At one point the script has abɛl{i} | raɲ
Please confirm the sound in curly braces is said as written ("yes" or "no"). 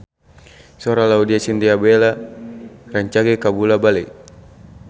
no